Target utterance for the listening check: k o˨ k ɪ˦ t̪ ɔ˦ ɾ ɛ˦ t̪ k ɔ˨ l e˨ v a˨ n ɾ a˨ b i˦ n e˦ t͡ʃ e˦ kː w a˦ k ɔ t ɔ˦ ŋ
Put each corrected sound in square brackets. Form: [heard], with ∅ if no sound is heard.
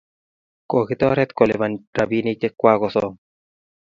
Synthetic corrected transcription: k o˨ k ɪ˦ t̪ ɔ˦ ɾ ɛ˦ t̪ k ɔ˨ l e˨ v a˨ n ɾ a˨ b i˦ n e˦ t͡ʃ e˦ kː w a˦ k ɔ [s] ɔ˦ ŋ